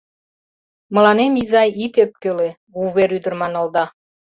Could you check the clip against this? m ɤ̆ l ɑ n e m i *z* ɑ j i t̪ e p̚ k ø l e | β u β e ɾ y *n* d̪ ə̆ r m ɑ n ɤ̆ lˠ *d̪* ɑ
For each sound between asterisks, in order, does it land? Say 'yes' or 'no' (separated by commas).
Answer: yes, no, yes